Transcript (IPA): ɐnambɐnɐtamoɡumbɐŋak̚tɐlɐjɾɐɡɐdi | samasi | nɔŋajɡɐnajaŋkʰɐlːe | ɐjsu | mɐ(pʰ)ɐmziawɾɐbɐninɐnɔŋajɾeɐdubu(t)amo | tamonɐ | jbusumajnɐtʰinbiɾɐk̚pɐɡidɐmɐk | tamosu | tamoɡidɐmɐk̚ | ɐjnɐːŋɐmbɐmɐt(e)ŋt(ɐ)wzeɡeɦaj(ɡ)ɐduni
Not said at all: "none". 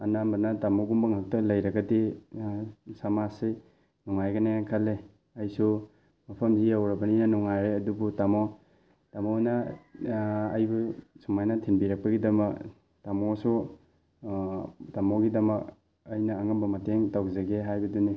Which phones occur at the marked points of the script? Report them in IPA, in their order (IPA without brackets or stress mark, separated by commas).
pʰ, t, e, a, b